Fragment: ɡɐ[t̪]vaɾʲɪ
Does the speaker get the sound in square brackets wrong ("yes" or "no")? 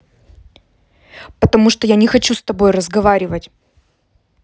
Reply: yes